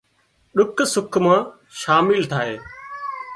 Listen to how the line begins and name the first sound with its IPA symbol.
ɗ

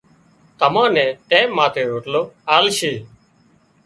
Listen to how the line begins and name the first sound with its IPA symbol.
t̪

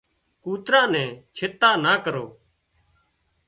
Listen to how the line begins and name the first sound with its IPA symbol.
k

